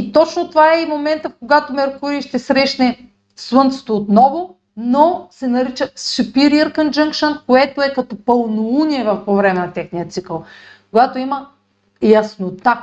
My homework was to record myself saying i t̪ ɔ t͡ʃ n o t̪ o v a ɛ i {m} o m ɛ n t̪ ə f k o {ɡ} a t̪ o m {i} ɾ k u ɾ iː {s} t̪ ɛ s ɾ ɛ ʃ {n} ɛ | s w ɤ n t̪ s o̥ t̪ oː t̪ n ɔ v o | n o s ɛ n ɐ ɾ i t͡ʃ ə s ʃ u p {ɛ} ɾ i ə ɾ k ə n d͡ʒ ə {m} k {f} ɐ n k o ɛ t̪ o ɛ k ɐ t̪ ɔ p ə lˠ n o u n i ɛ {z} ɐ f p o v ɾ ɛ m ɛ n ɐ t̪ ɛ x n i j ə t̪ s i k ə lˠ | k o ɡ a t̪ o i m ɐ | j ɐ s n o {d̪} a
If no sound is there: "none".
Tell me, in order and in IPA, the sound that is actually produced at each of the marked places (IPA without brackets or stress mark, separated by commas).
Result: m, ɡ, ɛ, ʃ, n, i, ŋ, ʃ, v, t̪